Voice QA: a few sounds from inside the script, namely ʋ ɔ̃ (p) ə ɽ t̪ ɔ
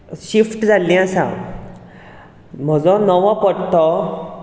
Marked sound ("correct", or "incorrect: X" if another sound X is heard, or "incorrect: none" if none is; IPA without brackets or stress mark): correct